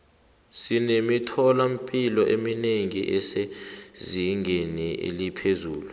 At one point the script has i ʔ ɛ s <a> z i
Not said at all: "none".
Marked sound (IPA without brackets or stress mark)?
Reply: e